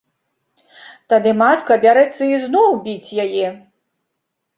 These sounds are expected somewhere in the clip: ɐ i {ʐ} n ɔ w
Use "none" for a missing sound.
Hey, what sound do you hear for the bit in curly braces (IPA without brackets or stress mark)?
z